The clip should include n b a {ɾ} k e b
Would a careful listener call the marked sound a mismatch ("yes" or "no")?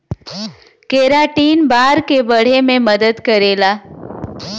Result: no